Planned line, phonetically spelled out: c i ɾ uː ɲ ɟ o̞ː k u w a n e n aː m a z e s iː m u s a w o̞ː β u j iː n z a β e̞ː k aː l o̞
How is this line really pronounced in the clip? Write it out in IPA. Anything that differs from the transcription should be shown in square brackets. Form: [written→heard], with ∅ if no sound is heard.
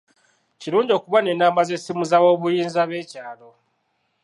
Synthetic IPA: c i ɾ uː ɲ ɟ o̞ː k u [w→β] a n e n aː m a z e s [iː→i] m u [s→z] a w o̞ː β u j iː n z a β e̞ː [k→c] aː l o̞